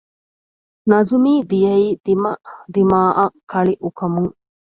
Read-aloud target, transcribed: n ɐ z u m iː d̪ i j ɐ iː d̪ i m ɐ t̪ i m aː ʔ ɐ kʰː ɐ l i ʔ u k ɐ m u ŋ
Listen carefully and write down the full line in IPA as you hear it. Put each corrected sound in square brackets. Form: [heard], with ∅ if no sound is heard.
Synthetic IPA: n ɐ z u m iː d̪ i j ɐ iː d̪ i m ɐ [d̪] i m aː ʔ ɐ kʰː ɐ [ɭ] i ʔ u k ɐ m u ŋ